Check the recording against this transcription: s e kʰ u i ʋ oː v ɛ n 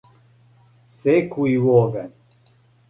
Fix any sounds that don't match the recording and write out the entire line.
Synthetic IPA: s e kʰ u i w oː v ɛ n